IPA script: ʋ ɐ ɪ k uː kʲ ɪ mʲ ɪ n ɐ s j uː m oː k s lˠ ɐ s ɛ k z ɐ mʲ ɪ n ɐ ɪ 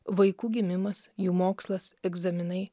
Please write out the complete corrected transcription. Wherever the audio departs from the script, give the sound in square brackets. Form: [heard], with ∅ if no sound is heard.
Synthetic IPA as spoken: ʋ ɐ ɪ k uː [ɡʲ] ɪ mʲ ɪ [m] ɐ s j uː m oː k s lˠ ɐ s ɛ [ɡ] z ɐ mʲ ɪ n ɐ ɪ